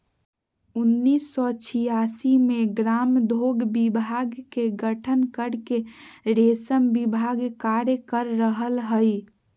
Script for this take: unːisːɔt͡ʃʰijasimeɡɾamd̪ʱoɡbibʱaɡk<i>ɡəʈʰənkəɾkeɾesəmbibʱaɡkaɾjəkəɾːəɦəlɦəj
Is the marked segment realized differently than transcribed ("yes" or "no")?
yes